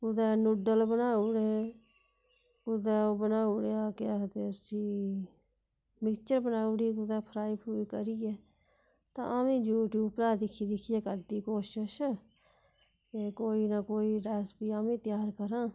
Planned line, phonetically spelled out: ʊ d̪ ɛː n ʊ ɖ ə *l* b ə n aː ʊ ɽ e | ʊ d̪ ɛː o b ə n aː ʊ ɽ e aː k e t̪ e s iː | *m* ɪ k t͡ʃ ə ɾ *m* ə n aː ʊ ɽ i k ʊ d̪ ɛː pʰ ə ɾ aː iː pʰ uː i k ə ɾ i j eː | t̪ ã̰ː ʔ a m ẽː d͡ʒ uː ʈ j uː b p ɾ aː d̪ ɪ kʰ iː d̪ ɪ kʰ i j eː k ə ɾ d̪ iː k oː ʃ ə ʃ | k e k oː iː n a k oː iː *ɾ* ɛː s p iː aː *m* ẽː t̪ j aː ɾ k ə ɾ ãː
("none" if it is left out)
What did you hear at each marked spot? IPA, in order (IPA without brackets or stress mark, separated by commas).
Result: l, m, b, ɾ, m